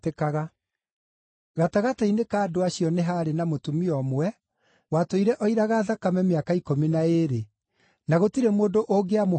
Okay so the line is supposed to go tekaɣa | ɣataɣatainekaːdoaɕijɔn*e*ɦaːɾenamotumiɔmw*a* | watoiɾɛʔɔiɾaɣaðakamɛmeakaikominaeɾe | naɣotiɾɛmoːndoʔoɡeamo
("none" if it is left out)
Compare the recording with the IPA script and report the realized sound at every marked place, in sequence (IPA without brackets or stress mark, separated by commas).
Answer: e, ɛ